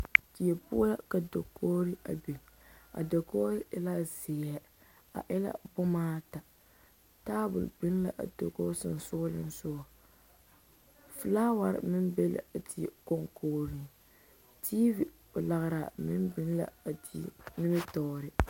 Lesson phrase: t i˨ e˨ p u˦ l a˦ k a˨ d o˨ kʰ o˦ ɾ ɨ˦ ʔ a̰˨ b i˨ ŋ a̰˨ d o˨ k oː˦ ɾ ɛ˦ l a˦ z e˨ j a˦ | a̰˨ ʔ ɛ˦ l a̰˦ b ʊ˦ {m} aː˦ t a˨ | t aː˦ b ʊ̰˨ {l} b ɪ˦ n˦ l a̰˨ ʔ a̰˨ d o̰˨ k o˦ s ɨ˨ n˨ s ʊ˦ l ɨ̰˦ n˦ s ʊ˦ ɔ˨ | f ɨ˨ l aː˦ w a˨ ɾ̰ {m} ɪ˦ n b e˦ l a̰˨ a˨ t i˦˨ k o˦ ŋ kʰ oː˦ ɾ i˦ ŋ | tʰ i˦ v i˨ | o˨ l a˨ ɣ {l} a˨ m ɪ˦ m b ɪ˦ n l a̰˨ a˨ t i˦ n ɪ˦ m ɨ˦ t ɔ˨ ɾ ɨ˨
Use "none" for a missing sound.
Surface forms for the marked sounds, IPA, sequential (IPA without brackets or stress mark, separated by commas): m, l, m, ɾ